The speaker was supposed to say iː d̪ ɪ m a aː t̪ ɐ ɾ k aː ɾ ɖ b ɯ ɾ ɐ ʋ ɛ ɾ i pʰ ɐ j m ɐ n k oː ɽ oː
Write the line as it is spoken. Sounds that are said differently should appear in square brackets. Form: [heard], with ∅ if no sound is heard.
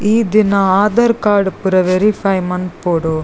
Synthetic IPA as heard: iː d̪ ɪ [n] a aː [d̪] ɐ ɾ k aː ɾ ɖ [p] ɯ ɾ ɐ ʋ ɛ ɾ i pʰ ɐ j m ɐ n [p] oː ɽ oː